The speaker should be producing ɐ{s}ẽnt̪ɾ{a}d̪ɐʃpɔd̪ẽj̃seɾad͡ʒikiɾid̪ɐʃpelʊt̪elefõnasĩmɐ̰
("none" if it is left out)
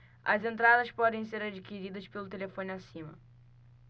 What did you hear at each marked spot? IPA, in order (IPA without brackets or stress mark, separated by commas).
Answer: z, a